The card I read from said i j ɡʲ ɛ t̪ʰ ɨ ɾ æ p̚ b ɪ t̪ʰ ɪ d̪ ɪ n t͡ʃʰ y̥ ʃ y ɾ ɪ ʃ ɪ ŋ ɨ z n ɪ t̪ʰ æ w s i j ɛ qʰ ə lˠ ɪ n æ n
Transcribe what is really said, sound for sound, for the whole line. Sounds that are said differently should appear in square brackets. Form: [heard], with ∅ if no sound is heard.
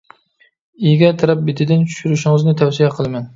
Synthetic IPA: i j ɡʲ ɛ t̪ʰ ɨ ɾ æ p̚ b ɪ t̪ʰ ɪ d̪ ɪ n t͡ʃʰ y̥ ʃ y ɾ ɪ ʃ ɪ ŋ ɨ z n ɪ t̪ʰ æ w s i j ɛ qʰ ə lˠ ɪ [m] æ n